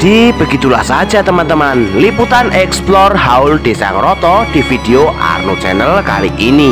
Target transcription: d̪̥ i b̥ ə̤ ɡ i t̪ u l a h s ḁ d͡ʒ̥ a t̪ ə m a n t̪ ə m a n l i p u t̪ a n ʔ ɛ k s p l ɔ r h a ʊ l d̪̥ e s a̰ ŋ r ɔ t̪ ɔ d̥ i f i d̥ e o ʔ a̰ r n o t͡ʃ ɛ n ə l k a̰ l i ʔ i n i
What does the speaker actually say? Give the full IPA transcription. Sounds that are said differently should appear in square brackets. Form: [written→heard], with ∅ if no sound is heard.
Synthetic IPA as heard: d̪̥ i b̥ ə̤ ɡ i t̪ u l a h s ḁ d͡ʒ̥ a t̪ ə m a n t̪ ə m a n l i p u t̪ a n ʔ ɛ k s p l ɔ r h a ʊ l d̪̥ e s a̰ ŋ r ɔ t̪ ɔ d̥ i f i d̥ e o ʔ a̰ r n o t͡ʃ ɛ n ə l k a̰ l i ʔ i n i